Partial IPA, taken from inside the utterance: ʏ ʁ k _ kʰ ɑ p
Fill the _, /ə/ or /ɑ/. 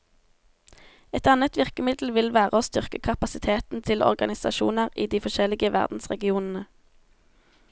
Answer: ə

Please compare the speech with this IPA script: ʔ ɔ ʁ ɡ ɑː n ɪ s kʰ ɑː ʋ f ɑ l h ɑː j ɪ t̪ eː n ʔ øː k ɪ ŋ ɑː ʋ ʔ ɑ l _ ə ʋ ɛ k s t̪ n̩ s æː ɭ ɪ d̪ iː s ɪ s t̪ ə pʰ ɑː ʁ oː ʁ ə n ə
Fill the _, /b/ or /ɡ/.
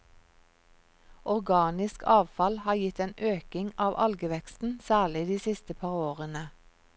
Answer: ɡ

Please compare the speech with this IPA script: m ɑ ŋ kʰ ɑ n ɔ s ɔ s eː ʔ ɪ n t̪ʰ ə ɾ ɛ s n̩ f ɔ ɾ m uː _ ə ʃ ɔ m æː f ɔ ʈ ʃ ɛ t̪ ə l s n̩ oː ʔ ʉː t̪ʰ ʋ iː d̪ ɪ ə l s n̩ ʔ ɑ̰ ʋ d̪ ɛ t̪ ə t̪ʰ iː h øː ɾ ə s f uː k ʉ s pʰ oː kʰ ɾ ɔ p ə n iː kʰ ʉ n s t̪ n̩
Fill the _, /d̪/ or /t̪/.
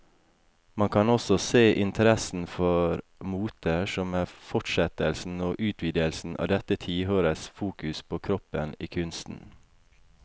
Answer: t̪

